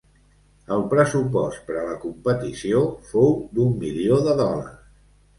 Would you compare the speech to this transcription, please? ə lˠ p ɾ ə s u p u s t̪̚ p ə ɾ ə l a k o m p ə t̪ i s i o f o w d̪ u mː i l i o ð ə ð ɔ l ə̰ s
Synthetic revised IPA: ə lˠ p ɾ ə s u p ɔ s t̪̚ p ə ɾ ə l ə k u m p ə t̪ i s i o f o w d̪ u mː i l i o ð ə ð ɔ l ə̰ s